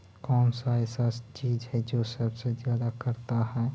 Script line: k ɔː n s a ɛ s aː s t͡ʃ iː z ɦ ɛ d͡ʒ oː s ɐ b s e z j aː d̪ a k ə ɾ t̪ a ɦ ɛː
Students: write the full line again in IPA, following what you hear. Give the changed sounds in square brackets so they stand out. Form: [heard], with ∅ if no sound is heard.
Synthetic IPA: k ɔː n s a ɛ s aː s t͡ʃ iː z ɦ ɛ d͡ʒ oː s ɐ b s e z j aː d̪ a k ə ɾ t̪ a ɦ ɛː